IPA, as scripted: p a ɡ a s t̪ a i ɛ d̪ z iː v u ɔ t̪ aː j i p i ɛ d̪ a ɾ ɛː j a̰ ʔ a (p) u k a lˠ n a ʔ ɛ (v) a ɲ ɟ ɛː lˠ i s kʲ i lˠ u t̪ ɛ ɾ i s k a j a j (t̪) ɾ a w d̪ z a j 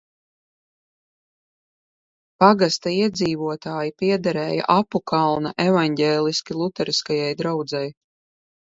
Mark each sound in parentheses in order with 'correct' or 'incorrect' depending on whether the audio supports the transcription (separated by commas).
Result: correct, correct, incorrect